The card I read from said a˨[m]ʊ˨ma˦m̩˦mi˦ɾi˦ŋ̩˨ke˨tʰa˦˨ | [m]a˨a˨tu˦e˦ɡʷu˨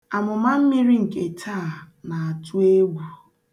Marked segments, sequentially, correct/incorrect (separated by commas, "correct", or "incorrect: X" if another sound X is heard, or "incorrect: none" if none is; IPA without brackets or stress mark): correct, incorrect: n